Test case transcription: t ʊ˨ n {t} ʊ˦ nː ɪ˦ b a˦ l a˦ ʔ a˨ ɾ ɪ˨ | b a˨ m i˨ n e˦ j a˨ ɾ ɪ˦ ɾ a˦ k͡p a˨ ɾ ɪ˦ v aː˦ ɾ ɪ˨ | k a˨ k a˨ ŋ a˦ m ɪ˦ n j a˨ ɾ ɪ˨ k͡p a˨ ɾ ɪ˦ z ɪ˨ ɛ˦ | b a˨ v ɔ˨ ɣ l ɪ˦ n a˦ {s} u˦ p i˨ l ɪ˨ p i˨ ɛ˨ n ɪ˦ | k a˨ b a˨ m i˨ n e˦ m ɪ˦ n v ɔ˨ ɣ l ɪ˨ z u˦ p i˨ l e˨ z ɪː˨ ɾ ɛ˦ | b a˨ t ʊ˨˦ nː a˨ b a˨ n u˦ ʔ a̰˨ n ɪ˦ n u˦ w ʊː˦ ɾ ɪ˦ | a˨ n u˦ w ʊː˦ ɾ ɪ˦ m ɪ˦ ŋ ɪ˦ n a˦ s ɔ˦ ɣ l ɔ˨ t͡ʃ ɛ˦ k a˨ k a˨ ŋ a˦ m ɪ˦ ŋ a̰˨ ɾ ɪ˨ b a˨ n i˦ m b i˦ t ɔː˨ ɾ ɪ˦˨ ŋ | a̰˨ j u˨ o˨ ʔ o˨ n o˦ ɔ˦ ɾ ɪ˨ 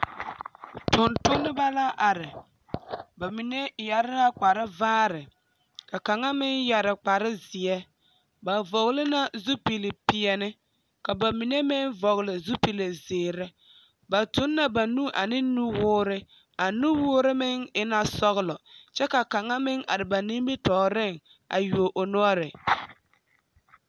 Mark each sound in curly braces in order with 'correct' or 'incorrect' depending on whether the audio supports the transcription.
correct, incorrect

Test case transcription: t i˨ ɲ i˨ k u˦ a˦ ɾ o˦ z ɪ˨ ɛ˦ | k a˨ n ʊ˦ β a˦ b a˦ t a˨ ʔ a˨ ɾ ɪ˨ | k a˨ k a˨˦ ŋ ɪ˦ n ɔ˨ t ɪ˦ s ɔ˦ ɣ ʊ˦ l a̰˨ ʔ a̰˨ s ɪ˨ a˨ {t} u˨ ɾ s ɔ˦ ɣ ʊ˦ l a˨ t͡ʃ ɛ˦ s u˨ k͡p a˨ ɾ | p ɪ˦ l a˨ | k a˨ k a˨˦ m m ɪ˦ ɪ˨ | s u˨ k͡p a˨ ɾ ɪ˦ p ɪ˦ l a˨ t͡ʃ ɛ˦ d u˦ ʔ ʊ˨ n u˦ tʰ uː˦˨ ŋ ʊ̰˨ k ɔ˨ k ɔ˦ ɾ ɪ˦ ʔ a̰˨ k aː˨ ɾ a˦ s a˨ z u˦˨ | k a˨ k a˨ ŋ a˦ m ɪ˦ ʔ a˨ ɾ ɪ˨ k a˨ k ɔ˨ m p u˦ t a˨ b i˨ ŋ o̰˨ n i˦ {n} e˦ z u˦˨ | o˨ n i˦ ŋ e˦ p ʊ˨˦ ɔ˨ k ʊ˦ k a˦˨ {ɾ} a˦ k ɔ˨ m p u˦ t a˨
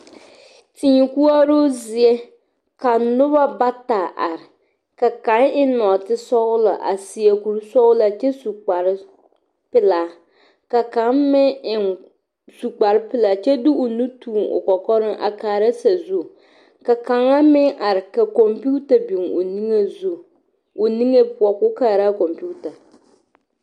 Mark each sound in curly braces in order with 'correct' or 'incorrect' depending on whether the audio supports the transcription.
incorrect, incorrect, correct

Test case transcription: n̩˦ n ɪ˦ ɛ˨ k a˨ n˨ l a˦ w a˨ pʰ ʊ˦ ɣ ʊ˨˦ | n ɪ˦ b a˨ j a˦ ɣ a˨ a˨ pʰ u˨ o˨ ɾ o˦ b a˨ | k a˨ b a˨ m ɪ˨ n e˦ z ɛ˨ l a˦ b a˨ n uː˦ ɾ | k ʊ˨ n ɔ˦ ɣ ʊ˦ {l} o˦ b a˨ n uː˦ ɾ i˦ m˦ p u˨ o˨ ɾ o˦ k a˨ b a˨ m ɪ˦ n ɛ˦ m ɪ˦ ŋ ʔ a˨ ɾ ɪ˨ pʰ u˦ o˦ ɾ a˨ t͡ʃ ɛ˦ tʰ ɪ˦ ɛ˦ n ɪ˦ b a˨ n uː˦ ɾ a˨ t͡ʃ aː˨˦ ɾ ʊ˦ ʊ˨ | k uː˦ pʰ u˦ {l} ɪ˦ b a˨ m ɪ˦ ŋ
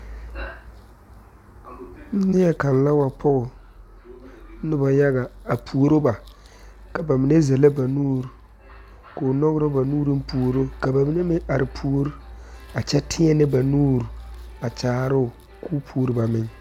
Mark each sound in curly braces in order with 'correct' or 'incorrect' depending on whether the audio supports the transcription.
incorrect, incorrect

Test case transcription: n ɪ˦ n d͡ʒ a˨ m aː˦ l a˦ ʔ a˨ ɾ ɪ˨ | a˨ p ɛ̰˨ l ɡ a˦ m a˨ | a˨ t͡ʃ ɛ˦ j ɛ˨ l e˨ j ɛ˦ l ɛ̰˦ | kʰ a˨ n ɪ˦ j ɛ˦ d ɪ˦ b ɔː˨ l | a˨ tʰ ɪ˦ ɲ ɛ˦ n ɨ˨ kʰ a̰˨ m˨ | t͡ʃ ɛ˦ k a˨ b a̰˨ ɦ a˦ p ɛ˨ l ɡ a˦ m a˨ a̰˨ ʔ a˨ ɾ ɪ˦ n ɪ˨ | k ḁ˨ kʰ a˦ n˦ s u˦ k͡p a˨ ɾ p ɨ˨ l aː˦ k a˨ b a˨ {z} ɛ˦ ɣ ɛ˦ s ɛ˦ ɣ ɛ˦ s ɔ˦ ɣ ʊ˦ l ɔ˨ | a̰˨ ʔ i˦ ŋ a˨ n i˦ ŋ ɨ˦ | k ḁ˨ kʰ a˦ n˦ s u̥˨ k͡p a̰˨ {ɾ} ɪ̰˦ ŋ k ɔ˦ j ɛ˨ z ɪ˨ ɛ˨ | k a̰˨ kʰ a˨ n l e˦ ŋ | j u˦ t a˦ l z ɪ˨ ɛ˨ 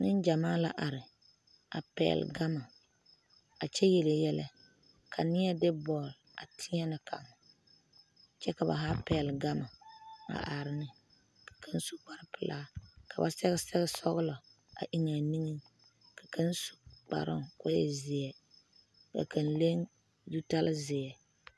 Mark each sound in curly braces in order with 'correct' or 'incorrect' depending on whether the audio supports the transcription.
incorrect, correct

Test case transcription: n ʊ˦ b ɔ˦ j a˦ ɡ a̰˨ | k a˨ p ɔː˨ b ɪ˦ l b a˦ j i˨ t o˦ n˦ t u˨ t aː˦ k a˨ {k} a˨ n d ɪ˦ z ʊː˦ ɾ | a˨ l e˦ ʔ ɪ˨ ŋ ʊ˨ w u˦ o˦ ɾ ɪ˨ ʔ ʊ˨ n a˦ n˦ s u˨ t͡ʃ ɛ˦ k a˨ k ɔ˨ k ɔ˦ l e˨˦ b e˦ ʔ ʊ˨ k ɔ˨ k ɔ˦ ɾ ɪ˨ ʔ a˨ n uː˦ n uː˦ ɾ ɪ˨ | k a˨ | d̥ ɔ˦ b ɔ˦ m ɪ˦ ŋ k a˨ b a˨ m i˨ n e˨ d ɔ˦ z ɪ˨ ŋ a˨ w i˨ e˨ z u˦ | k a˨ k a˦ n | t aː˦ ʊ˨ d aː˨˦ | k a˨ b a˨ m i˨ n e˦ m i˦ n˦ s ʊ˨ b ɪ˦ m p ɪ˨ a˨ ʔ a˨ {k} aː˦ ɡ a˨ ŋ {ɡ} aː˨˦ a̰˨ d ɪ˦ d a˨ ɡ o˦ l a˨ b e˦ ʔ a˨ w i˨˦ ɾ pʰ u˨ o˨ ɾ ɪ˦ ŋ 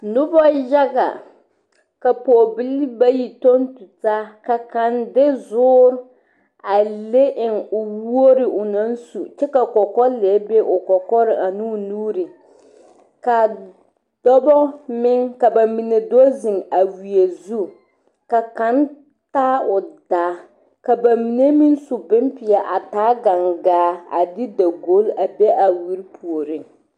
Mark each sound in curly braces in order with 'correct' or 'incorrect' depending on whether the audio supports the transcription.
correct, incorrect, correct

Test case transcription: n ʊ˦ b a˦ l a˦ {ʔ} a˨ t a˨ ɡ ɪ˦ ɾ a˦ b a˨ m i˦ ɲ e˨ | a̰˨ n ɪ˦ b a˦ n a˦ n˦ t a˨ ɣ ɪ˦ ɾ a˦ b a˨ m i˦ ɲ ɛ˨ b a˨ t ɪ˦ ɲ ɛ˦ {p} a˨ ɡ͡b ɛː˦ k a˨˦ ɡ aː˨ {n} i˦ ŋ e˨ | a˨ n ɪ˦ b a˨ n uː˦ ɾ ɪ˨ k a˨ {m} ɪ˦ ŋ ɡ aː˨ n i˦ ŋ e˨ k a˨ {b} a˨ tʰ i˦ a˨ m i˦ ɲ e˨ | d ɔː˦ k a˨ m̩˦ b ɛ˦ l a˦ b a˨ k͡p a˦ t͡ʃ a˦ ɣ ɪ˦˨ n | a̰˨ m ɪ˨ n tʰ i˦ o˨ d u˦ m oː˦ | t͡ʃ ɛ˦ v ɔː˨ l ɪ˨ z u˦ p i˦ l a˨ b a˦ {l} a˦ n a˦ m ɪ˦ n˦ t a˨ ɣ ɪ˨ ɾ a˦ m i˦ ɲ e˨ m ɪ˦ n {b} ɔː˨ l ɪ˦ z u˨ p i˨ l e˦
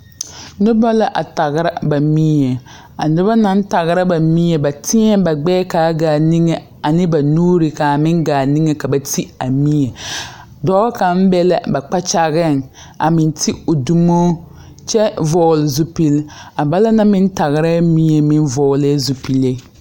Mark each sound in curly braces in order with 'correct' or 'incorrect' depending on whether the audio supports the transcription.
correct, incorrect, correct, correct, correct, correct, incorrect

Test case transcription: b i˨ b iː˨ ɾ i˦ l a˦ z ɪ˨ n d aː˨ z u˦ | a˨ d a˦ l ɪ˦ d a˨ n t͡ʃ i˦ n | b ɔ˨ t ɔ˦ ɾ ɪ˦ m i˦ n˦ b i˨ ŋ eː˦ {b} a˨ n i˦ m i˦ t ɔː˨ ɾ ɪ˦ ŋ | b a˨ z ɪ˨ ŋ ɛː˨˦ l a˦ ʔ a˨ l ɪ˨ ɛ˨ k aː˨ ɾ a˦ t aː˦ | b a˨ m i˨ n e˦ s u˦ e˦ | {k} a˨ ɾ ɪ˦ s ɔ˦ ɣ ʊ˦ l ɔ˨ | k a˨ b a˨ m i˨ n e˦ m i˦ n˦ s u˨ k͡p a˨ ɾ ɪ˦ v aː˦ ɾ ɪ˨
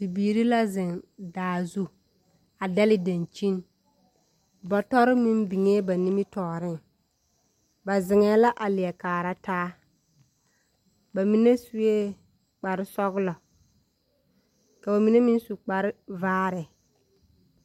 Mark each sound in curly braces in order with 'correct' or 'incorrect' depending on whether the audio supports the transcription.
correct, incorrect

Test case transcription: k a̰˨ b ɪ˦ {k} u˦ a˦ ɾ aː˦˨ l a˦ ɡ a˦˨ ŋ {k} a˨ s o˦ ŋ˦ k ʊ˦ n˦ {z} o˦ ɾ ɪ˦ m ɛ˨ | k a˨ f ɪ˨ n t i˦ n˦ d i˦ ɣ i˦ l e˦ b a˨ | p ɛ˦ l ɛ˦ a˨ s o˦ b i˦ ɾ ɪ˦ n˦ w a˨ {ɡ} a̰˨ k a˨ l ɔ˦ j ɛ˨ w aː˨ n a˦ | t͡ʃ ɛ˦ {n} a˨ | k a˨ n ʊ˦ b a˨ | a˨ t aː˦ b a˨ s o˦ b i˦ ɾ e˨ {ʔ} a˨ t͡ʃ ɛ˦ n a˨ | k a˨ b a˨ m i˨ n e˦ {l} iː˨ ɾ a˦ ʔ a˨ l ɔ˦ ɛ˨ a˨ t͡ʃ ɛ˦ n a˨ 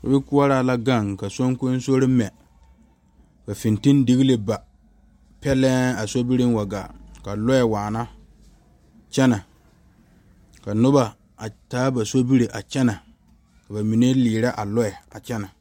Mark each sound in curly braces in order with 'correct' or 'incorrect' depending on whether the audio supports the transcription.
correct, correct, incorrect, correct, correct, correct, correct

